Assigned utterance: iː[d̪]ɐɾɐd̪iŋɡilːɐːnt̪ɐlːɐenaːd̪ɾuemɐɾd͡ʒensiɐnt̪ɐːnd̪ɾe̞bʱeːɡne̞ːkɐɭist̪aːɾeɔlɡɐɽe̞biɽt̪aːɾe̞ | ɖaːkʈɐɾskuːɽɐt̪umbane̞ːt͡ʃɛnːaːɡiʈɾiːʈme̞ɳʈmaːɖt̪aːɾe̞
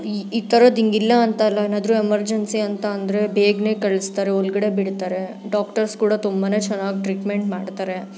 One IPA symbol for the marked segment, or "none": t̪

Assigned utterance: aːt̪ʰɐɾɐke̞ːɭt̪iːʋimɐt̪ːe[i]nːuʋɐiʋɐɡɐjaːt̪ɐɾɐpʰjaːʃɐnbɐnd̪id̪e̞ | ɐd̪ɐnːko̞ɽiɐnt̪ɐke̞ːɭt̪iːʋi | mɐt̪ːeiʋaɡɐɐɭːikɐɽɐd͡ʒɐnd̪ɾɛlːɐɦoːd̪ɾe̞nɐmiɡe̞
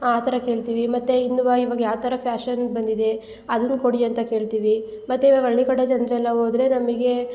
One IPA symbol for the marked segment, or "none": i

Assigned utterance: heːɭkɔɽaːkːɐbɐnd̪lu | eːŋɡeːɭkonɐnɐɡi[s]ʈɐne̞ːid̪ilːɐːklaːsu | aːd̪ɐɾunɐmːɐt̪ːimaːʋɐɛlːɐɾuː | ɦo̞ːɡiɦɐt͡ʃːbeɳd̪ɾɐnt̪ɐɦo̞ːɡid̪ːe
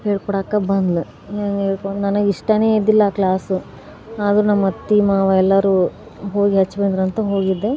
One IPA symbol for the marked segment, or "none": ʂ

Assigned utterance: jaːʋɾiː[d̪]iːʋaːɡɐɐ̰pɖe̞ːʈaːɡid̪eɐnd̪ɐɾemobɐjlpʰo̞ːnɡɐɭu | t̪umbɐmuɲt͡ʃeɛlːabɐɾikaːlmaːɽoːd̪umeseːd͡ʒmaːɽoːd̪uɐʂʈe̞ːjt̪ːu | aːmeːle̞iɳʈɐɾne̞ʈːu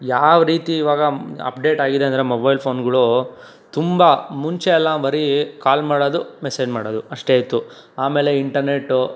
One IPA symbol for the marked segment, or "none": t̪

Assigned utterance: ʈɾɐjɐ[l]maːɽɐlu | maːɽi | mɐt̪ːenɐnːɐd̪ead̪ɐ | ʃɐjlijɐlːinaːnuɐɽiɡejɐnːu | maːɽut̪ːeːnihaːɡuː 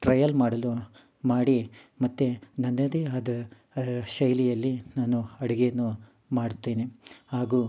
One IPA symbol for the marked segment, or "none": l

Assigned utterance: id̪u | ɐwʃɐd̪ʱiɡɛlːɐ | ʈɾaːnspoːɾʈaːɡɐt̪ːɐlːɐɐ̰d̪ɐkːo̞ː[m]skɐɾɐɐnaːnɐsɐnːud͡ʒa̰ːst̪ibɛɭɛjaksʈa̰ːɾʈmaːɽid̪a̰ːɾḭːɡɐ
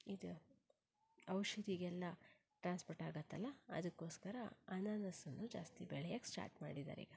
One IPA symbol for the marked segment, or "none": none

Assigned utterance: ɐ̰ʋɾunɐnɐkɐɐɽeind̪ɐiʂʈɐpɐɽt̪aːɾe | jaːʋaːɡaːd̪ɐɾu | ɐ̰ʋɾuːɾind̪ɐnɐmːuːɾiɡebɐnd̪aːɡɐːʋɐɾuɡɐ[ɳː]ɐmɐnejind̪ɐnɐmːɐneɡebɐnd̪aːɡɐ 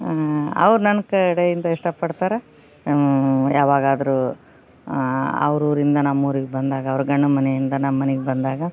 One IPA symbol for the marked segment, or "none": ɳː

